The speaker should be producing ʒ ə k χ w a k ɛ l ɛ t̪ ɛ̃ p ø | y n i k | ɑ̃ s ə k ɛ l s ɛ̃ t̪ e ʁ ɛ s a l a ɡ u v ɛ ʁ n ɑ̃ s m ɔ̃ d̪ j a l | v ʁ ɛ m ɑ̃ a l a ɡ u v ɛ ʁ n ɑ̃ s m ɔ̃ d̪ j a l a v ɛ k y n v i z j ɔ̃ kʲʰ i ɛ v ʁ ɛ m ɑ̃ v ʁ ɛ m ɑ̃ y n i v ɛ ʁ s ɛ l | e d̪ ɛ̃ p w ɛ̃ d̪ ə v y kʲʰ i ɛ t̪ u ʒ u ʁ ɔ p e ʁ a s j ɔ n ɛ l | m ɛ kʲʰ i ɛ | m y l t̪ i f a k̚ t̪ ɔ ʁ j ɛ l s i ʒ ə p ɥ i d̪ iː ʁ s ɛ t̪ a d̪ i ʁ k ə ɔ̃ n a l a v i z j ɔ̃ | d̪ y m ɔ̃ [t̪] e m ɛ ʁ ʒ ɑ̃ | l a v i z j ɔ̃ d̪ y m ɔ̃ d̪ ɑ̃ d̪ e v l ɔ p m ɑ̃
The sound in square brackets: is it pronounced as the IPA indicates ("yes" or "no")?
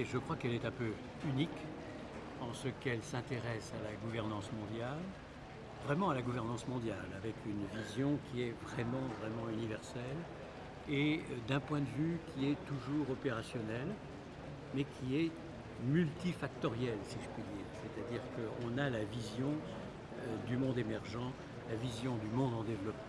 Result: no